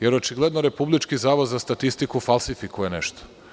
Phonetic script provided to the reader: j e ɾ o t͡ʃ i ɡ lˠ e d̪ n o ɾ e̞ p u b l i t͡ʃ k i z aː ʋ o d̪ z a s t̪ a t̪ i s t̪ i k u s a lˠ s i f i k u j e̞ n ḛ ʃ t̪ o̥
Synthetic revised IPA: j e ɾ o t͡ʃ i ɡ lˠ e d̪ n o ɾ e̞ p u b l i t͡ʃ k i z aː ʋ o d̪ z a s t̪ a t̪ i s t̪ i k u f a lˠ s i f i k u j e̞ n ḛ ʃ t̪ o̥